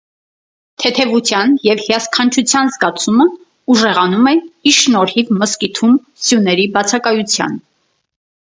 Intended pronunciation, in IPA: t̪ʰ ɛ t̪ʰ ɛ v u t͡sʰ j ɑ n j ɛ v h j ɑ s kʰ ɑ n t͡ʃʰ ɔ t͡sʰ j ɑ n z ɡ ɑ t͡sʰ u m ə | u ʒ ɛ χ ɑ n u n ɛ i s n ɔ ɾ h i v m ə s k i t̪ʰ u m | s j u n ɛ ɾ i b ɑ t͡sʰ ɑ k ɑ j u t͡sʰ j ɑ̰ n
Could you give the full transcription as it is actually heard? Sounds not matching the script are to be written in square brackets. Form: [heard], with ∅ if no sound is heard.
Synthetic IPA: t̪ʰ ɛ t̪ʰ ɛ v u t͡sʰ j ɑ n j ɛ v h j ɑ s kʰ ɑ n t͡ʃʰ [u] t͡sʰ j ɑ n z ɡ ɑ t͡sʰ u m ə | u ʒ ɛ [ʁ] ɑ n u [m] ɛ i [ʃ] n ɔ ɾ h i v m ə s k i t̪ʰ u m | s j u n ɛ ɾ i b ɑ t͡sʰ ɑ k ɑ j u t͡sʰ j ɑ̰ n

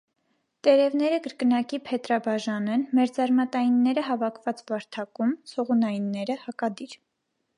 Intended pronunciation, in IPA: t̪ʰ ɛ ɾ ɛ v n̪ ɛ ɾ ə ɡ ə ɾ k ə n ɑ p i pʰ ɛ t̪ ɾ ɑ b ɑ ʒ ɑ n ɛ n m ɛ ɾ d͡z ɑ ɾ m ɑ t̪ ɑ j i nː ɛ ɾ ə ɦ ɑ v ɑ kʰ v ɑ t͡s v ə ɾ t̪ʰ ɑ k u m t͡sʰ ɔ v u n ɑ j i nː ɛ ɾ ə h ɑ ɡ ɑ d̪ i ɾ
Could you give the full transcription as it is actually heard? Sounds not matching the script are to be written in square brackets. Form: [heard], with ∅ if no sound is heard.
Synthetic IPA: [t̪] ɛ ɾ ɛ v n̪ ɛ ɾ ə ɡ ə ɾ k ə n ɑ [k] i pʰ ɛ t̪ ɾ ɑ b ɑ ʒ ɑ n ɛ n m ɛ ɾ d͡z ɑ ɾ m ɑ t̪ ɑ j i nː ɛ ɾ ə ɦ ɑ v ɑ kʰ v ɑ t͡s v [ɑ] ɾ t̪ʰ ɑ k u m t͡sʰ ɔ [ʁ] u n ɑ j i nː ɛ ɾ ə h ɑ [k] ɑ d̪ i ɾ

